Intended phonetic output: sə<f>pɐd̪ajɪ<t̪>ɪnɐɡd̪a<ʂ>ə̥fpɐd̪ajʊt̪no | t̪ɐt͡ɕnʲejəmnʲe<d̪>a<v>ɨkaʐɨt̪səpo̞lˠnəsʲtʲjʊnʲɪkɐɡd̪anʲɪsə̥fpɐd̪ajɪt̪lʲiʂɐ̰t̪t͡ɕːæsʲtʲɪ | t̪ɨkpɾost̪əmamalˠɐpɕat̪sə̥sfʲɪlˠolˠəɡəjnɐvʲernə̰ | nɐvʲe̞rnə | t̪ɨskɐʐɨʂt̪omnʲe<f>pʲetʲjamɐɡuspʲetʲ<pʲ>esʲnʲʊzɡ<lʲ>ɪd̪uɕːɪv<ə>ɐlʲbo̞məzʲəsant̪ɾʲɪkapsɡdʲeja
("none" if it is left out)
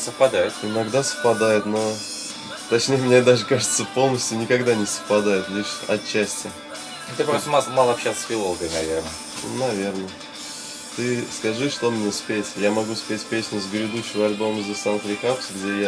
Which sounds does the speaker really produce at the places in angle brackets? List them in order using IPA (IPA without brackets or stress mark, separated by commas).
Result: f, t̪, s, d̪, ʐ, s, pʲ, ɾʲ, ə